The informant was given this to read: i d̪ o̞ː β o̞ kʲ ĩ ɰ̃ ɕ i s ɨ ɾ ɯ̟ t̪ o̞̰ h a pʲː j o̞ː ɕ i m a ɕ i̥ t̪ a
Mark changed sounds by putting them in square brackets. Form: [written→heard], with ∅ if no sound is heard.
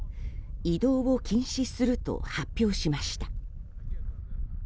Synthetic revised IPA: i d̪ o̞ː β o̞ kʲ ĩ ɰ̃ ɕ i s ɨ ɾ ɯ̟ t̪ o̞̰ h a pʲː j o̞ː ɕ i m a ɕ i̥ t̪ a

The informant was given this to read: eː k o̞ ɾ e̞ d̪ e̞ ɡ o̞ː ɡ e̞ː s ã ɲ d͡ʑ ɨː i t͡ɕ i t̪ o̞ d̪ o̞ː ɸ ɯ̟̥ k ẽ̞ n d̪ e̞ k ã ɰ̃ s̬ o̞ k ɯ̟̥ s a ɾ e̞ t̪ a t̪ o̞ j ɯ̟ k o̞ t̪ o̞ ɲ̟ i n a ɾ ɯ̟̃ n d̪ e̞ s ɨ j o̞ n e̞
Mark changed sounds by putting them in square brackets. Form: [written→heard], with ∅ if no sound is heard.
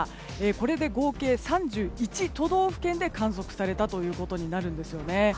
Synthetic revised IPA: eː k o̞ ɾ e̞ d̪ e̞ ɡ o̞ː [ɡ→k] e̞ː s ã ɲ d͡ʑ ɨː i t͡ɕ i t̪ o̞ d̪ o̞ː ɸ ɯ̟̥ k ẽ̞ n d̪ e̞ k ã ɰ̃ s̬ o̞ k ɯ̟̥ s a ɾ e̞ t̪ a t̪ o̞ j [ɯ̟→ɯ̟ː] k o̞ t̪ o̞ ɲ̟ i n a ɾ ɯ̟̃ n d̪ e̞ s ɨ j o̞ n e̞

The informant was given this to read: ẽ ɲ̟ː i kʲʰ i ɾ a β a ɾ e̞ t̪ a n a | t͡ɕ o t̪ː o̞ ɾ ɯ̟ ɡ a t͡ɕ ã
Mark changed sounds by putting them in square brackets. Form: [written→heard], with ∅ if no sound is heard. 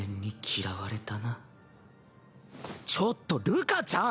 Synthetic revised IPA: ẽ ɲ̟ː i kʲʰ i ɾ a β a ɾ e̞ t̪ a n a | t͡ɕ o t̪ː o̞ ɾ ɯ̟ [ɡ→k] a t͡ɕ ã

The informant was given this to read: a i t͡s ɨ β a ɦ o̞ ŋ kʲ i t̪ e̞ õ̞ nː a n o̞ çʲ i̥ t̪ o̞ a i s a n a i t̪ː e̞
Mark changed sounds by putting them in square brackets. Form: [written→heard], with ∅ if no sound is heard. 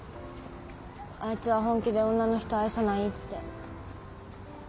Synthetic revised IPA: a i t͡s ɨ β a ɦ [o̞→õ̞] ŋ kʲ i [t̪→d̪] e̞ õ̞ nː a n o̞ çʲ i̥ t̪ o̞ a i s a n a i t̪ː e̞

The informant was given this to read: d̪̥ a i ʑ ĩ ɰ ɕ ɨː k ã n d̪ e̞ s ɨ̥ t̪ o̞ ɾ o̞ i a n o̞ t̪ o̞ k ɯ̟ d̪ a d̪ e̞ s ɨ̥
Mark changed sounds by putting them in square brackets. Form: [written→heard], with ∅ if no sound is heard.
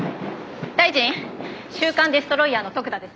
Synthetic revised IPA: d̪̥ a i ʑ ĩ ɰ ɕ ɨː k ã n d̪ e̞ s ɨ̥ t̪ o̞ ɾ o̞ i a n o̞ t̪ o̞ k ɯ̟ d̪ a d̪ e̞ s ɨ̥

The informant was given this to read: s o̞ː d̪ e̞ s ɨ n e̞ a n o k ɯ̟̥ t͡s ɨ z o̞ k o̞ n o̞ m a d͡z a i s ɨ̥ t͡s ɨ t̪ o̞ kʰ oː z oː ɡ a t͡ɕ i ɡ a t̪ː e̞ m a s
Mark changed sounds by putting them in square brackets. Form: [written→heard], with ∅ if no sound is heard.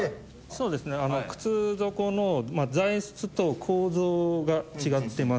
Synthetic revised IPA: s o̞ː d̪ e̞ s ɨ n e̞ a n o k ɯ̟̥ t͡s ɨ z o̞ k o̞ n o̞ m a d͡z a i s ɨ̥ t͡s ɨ t̪ o̞ kʰ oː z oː ɡ a t͡ɕ i ɡ a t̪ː e̞ m a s

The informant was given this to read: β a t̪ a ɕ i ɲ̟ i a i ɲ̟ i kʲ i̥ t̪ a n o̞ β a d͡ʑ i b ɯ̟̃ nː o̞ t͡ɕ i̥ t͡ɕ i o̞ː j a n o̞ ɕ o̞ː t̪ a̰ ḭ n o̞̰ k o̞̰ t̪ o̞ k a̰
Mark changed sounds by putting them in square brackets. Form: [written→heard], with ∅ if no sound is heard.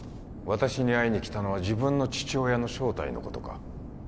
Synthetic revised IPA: β a t̪ a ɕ i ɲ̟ i a i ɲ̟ i kʲ i̥ t̪ a n o̞ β a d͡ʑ i b ɯ̟̃ nː o̞ t͡ɕ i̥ t͡ɕ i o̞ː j a n o̞ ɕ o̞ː t̪ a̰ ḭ n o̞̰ k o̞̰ t̪ o̞ k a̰

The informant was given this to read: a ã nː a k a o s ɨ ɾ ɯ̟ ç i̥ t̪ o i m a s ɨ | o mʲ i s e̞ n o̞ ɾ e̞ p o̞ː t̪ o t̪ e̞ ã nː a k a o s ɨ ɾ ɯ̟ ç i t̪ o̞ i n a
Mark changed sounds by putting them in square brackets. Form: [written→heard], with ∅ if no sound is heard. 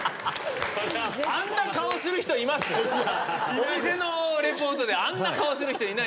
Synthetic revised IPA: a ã nː a k a o s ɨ ɾ ɯ̟ ç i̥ t̪ o i m a s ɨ | o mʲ i s e̞ n o̞ ɾ e̞ p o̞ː t̪ o [t̪→d̪] e̞ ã nː a k a o s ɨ ɾ ɯ̟ ç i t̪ o̞ i n a

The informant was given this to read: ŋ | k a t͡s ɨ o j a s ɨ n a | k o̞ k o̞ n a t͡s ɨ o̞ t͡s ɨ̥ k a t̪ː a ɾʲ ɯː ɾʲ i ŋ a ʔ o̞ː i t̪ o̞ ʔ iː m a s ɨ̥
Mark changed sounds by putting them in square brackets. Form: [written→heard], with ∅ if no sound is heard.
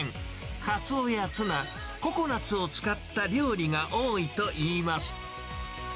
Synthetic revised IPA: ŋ | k a t͡s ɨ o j a [s→t͡s] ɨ n a | k o̞ k o̞ n a t͡s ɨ o̞ t͡s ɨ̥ k a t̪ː a ɾʲ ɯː ɾʲ i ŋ a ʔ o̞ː i t̪ o̞ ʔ iː m a s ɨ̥

